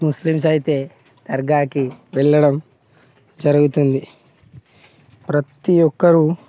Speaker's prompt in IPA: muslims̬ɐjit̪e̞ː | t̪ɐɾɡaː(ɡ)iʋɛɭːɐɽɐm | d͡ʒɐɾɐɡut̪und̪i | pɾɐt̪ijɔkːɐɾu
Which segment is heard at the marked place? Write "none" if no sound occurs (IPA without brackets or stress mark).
k